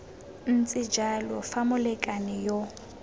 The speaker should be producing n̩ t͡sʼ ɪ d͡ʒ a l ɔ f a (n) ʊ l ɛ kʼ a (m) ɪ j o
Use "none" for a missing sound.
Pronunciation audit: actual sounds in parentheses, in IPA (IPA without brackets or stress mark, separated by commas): m, n